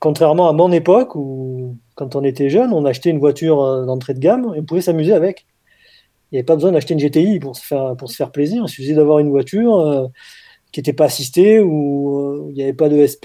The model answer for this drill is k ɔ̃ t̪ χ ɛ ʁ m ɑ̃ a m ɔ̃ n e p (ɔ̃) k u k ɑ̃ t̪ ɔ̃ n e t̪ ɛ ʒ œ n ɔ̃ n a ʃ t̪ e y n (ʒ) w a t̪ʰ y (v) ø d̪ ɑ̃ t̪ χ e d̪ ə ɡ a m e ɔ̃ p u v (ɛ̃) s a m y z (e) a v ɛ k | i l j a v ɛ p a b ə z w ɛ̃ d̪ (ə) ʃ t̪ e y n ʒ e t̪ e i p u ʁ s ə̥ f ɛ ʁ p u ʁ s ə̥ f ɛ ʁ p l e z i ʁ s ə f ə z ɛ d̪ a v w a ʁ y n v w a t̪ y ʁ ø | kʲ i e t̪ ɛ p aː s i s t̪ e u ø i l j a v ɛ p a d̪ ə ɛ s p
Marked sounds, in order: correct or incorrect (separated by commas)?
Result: incorrect, incorrect, incorrect, incorrect, correct, incorrect